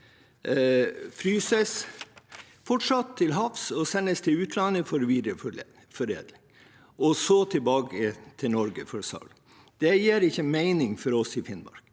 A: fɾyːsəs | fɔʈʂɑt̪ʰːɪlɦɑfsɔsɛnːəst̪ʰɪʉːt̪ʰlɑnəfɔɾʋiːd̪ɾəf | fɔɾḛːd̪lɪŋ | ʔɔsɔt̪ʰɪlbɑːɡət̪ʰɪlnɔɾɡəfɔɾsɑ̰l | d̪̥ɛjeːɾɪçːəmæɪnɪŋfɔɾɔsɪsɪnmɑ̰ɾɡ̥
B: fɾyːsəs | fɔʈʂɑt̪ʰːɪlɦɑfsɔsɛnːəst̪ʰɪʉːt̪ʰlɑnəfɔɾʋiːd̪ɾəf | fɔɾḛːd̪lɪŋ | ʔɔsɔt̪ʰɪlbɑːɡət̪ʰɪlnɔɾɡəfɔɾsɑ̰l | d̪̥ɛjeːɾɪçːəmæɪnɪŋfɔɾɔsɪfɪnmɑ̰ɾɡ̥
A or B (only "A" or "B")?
B